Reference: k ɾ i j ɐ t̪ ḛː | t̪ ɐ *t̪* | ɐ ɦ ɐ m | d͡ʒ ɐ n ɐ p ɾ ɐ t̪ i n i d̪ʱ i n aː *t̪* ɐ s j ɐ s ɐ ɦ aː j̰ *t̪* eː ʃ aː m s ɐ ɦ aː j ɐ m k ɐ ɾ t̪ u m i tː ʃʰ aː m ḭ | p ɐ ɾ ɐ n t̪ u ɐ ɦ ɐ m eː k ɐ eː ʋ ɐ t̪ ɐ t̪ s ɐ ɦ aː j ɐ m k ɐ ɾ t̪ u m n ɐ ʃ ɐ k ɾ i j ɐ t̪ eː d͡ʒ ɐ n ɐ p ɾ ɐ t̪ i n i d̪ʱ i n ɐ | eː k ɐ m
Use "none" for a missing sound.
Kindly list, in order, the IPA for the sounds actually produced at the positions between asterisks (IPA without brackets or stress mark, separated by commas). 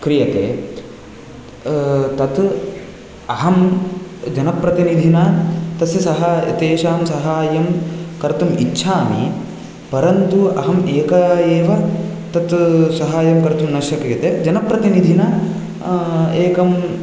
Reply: t̪, t̪, t̪